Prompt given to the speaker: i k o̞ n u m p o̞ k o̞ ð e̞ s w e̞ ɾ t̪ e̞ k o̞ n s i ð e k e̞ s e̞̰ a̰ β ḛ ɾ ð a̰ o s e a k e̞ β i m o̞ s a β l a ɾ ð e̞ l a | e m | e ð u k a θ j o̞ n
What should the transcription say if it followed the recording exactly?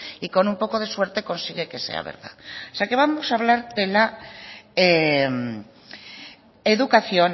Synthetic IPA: i k o̞ n u m p o̞ k o̞ ð e̞ s w e̞ ɾ t̪ e̞ k o̞ n s i ɣ e k e̞ s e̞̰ a̰ β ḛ ɾ ð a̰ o s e a k e̞ β a m o̞ s a β l a ɾ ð e̞ l a | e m | e ð u k a θ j o̞ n

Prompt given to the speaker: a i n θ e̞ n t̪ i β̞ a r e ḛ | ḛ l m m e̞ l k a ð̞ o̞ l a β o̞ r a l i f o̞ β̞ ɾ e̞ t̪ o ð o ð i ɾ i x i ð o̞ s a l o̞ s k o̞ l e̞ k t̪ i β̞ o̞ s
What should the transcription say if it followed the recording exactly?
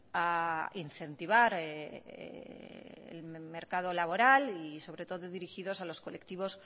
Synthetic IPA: a i n θ e̞ n t̪ i β̞ a ɾ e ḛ | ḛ l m m e̞ ɾ k a ð̞ o̞ l a β o̞ ɾ a l i s o̞ β̞ ɾ e̞ t̪ o ð o ð i ɾ i x i ð o̞ s a l o̞ s k o̞ l e̞ k t̪ i β̞ o̞ s

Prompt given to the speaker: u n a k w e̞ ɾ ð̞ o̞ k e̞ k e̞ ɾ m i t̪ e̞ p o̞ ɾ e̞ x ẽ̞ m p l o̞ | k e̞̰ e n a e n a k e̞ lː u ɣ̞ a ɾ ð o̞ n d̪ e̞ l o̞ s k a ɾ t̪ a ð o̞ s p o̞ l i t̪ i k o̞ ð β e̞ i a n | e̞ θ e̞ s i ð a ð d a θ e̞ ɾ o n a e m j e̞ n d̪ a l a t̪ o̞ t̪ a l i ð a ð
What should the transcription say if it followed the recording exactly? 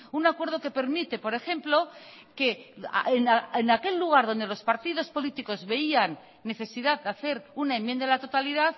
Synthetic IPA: u n a k w e̞ ɾ ð̞ o̞ k e̞ p e̞ ɾ m i t̪ e̞ p o̞ ɾ e̞ x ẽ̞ m p l o̞ | k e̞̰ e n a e n a k e̞ lː u ɣ̞ a ɾ ð o̞ n d̪ e̞ l o̞ s p a ɾ t̪ i ð o̞ s p o̞ l i t̪ i k o̞ z β e̞ i a nː | e̞ θ e̞ s i ð a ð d a θ e̞ ɾ u n a e m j e̞ n d̪ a l a t̪ o̞ t̪ a l i ð a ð

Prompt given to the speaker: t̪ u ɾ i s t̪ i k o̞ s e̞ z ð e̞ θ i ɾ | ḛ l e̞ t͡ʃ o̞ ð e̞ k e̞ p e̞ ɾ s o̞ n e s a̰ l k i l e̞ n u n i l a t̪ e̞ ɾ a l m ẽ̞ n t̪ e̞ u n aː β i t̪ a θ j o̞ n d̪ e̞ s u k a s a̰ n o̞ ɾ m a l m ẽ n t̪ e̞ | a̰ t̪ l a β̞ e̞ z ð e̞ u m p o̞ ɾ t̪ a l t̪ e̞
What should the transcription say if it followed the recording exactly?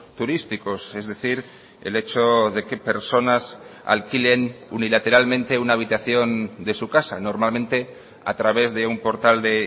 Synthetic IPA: t̪ u ɾ i s t̪ i k o̞ s e̞ z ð e̞ θ i ɾ | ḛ l e̞ t͡ʃ o̞ ð e̞ k e̞ p e̞ ɾ s o̞ n a s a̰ l k i l e̞ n u n i l a t̪ e̞ ɾ a l m ẽ̞ n t̪ e̞ u n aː β i t̪ a θ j o̞ n d̪ e̞ s u k a s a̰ n o̞ ɾ m a l m ẽ n t̪ e̞ | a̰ t̪ ɾ a β̞ e̞ z ð e̞ u m p o̞ ɾ t̪ a l d̪ e̞

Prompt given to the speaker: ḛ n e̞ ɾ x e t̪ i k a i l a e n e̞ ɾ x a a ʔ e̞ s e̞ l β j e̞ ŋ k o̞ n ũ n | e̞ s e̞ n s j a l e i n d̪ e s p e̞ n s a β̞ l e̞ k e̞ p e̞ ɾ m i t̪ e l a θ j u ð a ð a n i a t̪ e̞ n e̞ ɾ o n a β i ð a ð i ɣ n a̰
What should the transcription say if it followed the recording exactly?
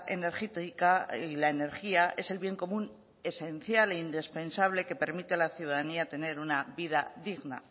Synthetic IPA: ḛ n e̞ ɾ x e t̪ i k a i l a e n e̞ ɾ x i a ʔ e̞ s e̞ l β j e̞ ŋ k o̞ m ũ n | e̞ s e̞ n θ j a l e i n d̪ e s p e̞ n s a β̞ l e̞ k e̞ p e̞ ɾ m i t̪ e l a θ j u ð a ð a n i a t̪ e̞ n e̞ ɾ u n a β i ð a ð i ɣ n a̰

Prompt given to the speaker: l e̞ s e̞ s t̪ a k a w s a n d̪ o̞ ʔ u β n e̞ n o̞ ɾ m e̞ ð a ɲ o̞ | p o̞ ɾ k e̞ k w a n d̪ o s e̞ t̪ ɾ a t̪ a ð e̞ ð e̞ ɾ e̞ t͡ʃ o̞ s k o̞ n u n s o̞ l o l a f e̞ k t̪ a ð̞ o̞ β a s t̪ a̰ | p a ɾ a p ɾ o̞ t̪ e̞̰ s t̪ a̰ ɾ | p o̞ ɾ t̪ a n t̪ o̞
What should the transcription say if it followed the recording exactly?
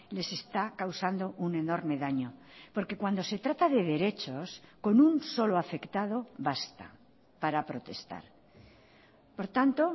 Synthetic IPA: l e̞ s e̞ s t̪ a k a w s a n d̪ o̞ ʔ u n e̞ n o̞ ɾ m e̞ ð a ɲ o̞ | p o̞ ɾ k e̞ k w a n d̪ o s e̞ t̪ ɾ a t̪ a ð e̞ ð e̞ ɾ e̞ t͡ʃ o̞ s k o̞ n u n s o̞ l o a f e̞ k t̪ a ð̞ o̞ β a s t̪ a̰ | p a ɾ a p ɾ o̞ t̪ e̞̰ s t̪ a̰ ɾ | p o̞ ɾ t̪ a n t̪ o̞

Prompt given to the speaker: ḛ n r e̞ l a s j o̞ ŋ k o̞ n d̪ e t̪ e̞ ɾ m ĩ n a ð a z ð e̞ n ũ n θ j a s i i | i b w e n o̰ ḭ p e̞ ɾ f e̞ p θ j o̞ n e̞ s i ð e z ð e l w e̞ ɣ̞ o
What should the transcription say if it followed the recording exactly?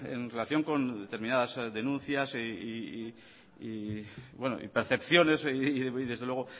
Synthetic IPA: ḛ n r e̞ l a θ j o̞ ŋ k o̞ n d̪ e t̪ e̞ ɾ m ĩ n a ð a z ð e̞ n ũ n θ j a s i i | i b w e n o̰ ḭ p e̞ ɾ θ e̞ p θ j o̞ n e̞ s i ð e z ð e l w e̞ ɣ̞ o

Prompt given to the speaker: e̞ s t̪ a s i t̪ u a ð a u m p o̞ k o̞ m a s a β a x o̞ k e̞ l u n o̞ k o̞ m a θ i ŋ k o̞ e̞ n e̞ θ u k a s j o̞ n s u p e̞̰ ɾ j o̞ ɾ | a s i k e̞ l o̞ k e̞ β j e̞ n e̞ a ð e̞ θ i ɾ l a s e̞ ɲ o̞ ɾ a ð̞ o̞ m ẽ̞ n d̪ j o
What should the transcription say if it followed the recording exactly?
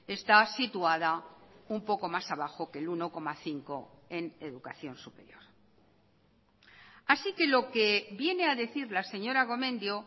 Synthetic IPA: e̞ s t̪ a s i t̪ u a ð a u m p o̞ k o̞ m a s a β a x o̞ k e̞ l u n o̞ k o̞ m a θ i ŋ k o̞ e̞ n e̞ ð u k a θ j o̞ n s u p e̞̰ ɾ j o̞ ɾ | a s i k e̞ l o̞ k e̞ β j e̞ n e̞ a ð e̞ θ i ɾ l a s e̞ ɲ o̞ ɾ a ɣ̞ o̞ m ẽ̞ n d̪ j o

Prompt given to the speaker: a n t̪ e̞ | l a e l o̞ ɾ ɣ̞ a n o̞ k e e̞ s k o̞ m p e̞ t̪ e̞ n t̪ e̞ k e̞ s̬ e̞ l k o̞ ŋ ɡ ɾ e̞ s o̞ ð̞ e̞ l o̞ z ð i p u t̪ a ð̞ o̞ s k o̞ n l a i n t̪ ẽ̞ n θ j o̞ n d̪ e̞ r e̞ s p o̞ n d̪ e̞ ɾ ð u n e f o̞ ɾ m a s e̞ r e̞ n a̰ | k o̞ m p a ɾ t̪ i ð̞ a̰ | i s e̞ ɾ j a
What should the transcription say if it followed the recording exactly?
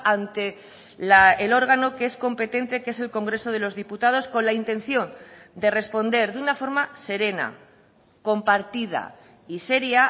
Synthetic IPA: a n t̪ e̞ | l a e l o̞ ɾ ɣ̞ a n o̞ k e e̞ s k o̞ m p e̞ t̪ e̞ n t̪ e̞ k e̞ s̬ e̞ l k o̞ ŋ ɡ ɾ e̞ s o̞ ð̞ e̞ l o̞ z ð i p u t̪ a ð̞ o̞ s k o̞ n l a i n t̪ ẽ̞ n θ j o̞ n d̪ e̞ r e̞ s p o̞ n d̪ e̞ ɾ ð u n a f o̞ ɾ m a s e̞ ɾ e̞ n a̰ | k o̞ m p a ɾ t̪ i ð̞ a̰ | i s e̞ ɾ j a

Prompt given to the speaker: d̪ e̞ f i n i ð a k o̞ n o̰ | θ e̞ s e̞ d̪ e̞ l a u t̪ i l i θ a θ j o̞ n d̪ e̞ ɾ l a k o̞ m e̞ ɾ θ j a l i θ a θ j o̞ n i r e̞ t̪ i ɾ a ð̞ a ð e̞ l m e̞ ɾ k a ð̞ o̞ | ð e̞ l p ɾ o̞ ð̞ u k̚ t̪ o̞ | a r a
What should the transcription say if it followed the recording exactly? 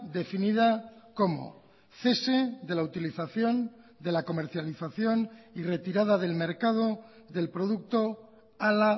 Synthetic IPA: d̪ e̞ f i n i ð a k o̞ m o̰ | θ e̞ s e̞ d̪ e̞ l a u t̪ i l i θ a θ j o̞ n d̪ e̞ l a k o̞ m e̞ ɾ θ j a l i θ a θ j o̞ n i r e̞ t̪ i ɾ a ð̞ a ð e̞ l m e̞ ɾ k a ð̞ o̞ | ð e̞ l p ɾ o̞ ð̞ u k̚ t̪ o̞ | a l a

